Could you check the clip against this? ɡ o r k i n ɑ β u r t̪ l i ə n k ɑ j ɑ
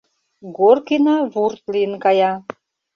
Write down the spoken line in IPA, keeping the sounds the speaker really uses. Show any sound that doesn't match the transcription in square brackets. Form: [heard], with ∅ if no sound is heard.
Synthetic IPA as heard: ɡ o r k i n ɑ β u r t̪ l i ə n k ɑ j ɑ